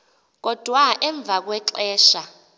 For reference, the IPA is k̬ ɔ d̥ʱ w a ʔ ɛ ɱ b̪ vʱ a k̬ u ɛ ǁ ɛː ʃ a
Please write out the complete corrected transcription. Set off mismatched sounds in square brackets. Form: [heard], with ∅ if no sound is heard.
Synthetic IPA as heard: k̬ ɔ d̥ʱ w a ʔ ɛ ɱ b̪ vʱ a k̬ [w] ɛ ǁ ɛː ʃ a